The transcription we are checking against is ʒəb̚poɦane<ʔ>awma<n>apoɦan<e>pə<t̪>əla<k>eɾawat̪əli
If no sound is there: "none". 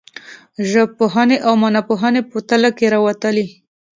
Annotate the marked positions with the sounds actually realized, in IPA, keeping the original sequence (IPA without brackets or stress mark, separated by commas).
ʔ, n, e, t̪, k